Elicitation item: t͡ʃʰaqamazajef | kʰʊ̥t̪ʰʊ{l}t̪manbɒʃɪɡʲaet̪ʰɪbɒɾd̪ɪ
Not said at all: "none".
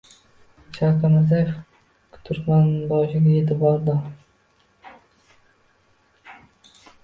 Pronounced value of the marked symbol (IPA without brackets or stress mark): ɾ